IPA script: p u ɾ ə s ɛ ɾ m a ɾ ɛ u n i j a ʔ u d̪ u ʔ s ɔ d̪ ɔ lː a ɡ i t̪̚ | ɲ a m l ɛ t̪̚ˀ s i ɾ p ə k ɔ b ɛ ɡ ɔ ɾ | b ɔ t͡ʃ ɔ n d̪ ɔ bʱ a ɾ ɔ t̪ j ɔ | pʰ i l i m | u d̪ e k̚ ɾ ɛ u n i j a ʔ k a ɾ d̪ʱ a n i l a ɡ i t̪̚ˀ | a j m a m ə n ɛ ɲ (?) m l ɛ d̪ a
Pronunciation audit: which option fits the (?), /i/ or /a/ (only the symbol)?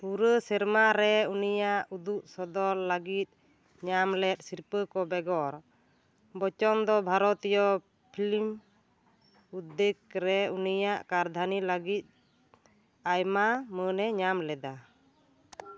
a